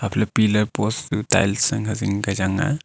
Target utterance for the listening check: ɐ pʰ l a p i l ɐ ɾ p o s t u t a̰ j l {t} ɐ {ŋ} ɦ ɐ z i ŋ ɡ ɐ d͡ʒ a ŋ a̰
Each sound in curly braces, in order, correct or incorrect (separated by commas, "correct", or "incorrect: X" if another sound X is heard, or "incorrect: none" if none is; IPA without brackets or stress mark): incorrect: s, correct